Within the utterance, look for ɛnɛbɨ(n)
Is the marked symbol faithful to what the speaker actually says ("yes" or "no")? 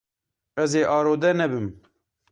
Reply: no